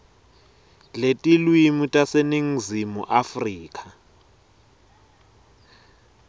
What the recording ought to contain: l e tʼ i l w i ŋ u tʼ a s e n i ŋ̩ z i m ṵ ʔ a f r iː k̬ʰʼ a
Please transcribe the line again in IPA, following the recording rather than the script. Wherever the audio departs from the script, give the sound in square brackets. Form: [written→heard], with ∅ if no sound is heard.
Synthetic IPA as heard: l e tʼ i l w i [ŋ→m] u tʼ a s e n i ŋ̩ z i m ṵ ʔ a f r iː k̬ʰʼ a